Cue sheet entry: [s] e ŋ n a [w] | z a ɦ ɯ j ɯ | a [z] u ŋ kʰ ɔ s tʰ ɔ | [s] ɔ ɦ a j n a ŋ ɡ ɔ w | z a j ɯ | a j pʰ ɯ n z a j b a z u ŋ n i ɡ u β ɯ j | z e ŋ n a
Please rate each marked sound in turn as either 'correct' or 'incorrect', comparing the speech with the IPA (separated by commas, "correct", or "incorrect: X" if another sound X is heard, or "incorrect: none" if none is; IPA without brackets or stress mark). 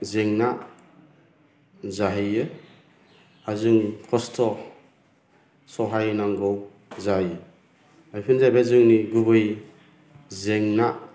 incorrect: z, incorrect: none, correct, correct